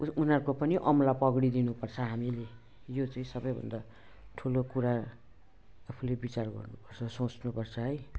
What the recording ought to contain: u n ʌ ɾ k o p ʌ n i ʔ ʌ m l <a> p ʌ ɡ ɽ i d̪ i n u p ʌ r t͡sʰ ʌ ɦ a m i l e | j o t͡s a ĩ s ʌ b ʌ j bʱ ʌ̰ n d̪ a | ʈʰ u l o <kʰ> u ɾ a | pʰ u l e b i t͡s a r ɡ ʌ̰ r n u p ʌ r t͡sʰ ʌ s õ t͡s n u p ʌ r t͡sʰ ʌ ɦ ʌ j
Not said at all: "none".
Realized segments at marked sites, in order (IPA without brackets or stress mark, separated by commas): a, k